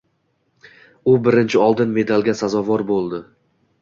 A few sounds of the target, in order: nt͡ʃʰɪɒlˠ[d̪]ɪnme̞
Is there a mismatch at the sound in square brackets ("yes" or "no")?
no